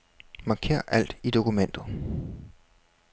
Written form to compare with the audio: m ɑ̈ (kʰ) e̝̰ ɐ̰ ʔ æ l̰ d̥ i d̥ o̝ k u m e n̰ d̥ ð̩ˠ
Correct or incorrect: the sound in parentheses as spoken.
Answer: correct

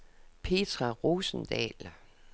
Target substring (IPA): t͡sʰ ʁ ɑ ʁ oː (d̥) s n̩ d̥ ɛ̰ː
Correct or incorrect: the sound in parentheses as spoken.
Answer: incorrect: none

